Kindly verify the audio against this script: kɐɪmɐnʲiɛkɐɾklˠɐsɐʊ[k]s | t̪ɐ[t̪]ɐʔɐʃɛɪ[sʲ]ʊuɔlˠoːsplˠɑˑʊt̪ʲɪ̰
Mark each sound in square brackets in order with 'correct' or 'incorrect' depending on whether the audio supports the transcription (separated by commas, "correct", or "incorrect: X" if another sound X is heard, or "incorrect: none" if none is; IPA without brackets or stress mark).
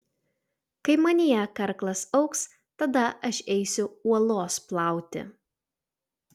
correct, incorrect: d̪, correct